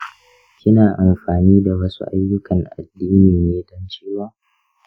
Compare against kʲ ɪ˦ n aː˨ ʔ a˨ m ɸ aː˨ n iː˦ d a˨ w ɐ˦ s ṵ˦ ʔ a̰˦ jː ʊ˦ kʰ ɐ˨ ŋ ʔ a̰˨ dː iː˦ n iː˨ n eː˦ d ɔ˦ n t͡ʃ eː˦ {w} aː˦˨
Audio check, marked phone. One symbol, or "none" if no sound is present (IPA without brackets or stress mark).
w